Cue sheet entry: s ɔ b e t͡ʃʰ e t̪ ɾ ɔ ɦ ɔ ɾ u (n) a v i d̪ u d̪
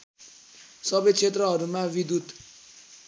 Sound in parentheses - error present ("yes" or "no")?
yes